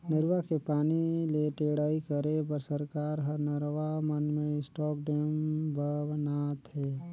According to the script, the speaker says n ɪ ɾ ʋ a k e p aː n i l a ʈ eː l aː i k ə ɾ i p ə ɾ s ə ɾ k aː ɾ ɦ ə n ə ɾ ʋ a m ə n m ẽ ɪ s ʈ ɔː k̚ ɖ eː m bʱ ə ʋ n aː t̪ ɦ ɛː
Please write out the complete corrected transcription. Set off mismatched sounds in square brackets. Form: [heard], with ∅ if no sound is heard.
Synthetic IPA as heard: n ɪ ɾ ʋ a k e p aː n i l [e] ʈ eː [ɽ] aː i k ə ɾ [e] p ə ɾ s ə ɾ k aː ɾ ɦ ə n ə ɾ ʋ a m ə n m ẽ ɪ s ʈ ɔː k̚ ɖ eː m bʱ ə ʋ n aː t̪ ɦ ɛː

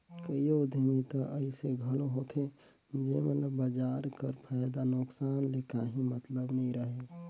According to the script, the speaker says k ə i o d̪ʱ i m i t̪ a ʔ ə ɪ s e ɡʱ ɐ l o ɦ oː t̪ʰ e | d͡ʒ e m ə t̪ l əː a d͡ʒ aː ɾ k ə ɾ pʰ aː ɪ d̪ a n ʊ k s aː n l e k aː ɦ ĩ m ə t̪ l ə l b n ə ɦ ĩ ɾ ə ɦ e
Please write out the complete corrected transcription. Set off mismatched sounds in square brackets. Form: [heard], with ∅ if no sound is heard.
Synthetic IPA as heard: k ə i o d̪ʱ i m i t̪ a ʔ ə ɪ s e ɡʱ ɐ l o ɦ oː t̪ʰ e | d͡ʒ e m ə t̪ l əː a d͡ʒ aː ɾ k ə ɾ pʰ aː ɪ d̪ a n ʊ k s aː n l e k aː ɦ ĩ m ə t̪ l ə [∅] b n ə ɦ ĩ ɾ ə ɦ e

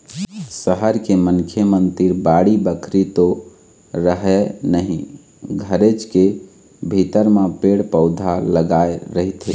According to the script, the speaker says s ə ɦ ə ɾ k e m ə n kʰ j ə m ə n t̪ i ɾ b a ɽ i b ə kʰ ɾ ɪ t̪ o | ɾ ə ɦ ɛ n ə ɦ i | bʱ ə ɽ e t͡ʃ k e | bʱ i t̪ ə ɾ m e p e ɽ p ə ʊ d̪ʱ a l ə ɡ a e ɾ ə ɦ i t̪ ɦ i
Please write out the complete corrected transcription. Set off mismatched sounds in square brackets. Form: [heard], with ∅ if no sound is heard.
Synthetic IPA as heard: s ə ɦ ə ɾ k e m ə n kʰ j ə m ə n t̪ i ɾ b a ɽ i b ə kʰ ɾ [i] t̪ o | ɾ ə ɦ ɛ n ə ɦ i | [ɡʱ] ə [ɾ] e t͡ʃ k e | bʱ i t̪ ə ɾ m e p e ɽ p ə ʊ d̪ʱ a l ə ɡ a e ɾ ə ɦ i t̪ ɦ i

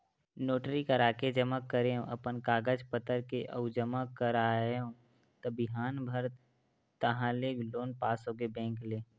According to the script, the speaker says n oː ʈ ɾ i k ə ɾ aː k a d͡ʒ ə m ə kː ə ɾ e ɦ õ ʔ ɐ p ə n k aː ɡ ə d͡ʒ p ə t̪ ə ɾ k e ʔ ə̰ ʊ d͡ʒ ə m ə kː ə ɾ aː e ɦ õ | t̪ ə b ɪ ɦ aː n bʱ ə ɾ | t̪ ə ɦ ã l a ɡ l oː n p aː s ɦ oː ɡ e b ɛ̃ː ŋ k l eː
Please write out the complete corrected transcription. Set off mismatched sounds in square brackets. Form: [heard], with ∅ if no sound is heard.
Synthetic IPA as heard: n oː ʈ ɾ i k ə ɾ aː k [e] d͡ʒ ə m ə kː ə ɾ e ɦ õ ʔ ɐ p ə n k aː ɡ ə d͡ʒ p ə t̪ ə ɾ k e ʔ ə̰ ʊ d͡ʒ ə m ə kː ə ɾ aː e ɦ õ | t̪ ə b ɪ ɦ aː n bʱ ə ɾ | t̪ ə ɦ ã l [e] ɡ l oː n p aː s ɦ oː ɡ e b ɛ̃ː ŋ k l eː

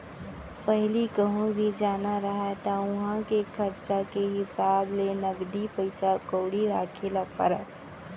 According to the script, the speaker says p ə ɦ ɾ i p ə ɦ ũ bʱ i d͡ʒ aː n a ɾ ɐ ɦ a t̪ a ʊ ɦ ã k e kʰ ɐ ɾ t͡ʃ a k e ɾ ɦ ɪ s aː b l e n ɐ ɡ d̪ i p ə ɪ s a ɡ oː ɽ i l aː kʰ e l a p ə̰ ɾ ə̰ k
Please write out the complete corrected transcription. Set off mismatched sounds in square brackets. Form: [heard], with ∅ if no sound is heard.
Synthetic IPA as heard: p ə ɦ [l] i [k] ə ɦ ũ bʱ i d͡ʒ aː n a ɾ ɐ ɦ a t̪ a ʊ ɦ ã k e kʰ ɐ ɾ t͡ʃ a k e [∅] ɦ ɪ s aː b l e n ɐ ɡ d̪ i p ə ɪ s a [k] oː ɽ i [ɾ] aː kʰ e l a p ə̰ ɾ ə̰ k

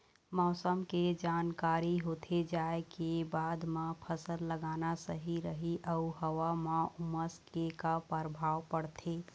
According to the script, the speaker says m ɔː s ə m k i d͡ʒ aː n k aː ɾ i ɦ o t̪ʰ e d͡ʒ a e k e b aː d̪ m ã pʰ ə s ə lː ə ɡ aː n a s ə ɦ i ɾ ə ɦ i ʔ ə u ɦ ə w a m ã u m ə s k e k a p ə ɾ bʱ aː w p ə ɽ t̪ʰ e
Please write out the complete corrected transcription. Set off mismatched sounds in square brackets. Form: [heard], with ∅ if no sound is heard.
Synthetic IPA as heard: m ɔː s ə m k [e] d͡ʒ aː n k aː ɾ i ɦ o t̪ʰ e d͡ʒ a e k e b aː d̪ m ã pʰ ə s ə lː ə ɡ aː n a s ə ɦ i ɾ ə ɦ i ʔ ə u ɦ ə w a m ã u m ə s k e k a p ə ɾ bʱ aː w p ə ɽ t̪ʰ e

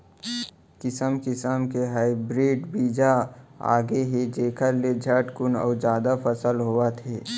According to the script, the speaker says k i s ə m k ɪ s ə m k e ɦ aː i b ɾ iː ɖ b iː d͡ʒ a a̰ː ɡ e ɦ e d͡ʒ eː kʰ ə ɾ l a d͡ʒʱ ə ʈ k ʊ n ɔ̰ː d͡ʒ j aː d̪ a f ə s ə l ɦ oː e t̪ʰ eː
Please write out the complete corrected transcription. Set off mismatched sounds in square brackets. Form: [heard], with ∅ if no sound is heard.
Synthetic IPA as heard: k [ɪ] s ə m k ɪ s ə m k e ɦ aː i b ɾ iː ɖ b iː d͡ʒ a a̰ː ɡ e ɦ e d͡ʒ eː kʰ ə ɾ l [e] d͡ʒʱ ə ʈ k ʊ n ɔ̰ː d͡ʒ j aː d̪ a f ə s ə l ɦ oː [a] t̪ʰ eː

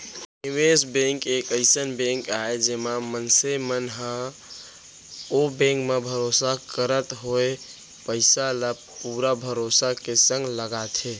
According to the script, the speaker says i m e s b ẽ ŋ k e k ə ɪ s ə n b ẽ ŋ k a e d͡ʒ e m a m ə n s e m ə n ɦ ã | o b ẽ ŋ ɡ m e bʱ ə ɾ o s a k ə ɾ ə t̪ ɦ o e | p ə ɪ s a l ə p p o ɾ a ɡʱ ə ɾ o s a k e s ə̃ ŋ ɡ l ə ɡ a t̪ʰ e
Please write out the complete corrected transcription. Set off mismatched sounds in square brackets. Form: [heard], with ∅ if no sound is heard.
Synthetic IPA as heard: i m e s b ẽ ŋ k e k ə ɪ s ə n b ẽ ŋ k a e d͡ʒ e m a m ə n s e m ə n ɦ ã | o b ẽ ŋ [k] m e bʱ ə ɾ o s a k ə ɾ ə t̪ ɦ o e | p ə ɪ s a l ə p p [u] ɾ a [bʱ] ə ɾ o s a k e s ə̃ ŋ ɡ l ə ɡ a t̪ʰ e

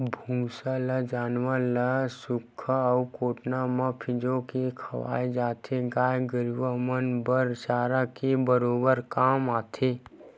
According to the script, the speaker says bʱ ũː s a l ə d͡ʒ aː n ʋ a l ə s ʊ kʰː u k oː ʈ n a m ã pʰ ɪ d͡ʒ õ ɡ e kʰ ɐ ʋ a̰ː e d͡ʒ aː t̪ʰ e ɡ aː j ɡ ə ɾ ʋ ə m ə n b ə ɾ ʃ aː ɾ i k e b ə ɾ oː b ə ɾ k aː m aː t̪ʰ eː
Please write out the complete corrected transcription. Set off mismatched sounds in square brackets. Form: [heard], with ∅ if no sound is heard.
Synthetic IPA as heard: bʱ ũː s a l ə d͡ʒ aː n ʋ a l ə s ʊ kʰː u k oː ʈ n a m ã pʰ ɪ d͡ʒ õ [k] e kʰ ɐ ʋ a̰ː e d͡ʒ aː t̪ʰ e ɡ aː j ɡ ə ɾ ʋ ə m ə n b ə ɾ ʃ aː ɾ [a] k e b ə ɾ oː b ə ɾ k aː m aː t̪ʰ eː

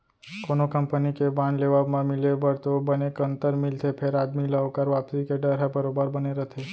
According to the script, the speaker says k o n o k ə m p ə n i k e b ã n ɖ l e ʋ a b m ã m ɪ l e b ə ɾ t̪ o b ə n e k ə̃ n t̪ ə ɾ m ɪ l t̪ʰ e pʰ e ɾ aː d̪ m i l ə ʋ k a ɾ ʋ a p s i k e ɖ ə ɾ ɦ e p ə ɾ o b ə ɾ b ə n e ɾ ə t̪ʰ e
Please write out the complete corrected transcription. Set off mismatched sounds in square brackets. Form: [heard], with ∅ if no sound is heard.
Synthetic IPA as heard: k o n o k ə m p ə n i k e b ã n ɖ l e ʋ a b m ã m ɪ l e b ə ɾ t̪ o b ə n e k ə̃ n t̪ ə ɾ m ɪ l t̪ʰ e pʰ e ɾ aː d̪ m i l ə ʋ k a ɾ ʋ a p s i k e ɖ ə ɾ ɦ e [b] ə ɾ o b ə ɾ b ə n e ɾ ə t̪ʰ e

